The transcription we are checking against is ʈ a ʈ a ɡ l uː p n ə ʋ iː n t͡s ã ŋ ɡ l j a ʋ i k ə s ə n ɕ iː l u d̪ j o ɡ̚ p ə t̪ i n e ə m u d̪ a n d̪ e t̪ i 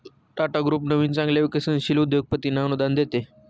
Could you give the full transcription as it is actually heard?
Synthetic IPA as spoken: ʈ a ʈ a ɡ ɾ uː p n ə ʋ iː n t͡s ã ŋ ɡ l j a ʋ i k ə s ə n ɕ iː l u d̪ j o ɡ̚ p ə t̪ i n a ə n u d̪ a n d̪ e t̪ e